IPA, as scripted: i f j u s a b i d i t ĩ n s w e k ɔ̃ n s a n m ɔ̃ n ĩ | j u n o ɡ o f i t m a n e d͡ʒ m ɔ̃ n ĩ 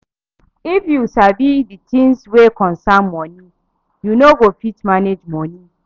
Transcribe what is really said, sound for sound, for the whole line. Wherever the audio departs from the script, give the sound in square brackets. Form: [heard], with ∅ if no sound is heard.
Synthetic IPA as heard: i f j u s a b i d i t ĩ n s w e k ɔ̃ n s a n m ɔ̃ n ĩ | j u n o ɡ o f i t m a n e d͡ʒ m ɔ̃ n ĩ

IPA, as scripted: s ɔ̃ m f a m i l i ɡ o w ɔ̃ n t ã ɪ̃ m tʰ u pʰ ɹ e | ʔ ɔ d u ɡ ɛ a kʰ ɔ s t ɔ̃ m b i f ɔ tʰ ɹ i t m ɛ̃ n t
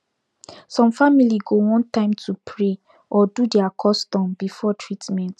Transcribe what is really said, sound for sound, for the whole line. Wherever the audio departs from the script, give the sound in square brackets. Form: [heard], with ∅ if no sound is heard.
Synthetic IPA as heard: s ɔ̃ m f a m i l i ɡ o w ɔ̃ n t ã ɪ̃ m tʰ u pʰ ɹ e | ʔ ɔ d u [d] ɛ a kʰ ɔ s t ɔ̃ m b i f ɔ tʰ ɹ i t m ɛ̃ n t

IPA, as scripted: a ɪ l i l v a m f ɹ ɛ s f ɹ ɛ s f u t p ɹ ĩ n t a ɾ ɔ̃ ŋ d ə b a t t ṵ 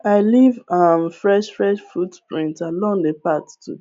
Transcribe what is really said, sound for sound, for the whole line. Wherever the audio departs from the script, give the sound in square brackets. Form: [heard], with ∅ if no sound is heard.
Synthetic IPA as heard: a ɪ l i [∅] v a m f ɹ ɛ [ʃ] f ɹ ɛ [ʃ] f u t p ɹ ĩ n t a [l] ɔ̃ ŋ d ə [p] a t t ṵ

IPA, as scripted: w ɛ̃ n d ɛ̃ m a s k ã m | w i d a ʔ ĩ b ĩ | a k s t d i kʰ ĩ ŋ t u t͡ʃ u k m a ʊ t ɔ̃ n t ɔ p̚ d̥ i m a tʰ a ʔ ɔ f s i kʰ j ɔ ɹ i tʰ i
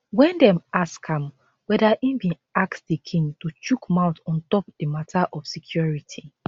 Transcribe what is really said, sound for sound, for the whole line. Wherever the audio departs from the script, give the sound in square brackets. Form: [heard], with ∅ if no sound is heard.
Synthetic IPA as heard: w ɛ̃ n d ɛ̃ m a s k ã m | w [ɛ] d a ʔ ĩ b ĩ | a k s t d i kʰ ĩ ŋ t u t͡ʃ u k m a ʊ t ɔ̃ n t ɔ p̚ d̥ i m a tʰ a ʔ ɔ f s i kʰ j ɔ ɹ i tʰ i

